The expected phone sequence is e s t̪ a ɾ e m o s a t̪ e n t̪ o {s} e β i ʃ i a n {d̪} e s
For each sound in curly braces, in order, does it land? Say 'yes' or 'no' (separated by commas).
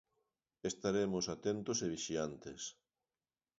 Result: yes, no